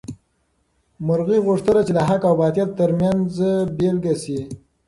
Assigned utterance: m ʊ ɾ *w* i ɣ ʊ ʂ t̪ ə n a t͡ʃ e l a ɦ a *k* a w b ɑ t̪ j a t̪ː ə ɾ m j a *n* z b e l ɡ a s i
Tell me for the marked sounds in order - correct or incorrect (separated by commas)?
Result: incorrect, correct, correct